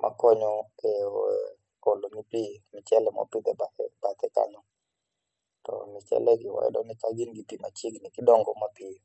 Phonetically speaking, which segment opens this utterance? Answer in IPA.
m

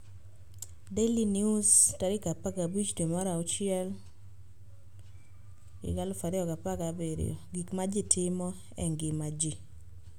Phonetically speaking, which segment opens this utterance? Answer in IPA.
d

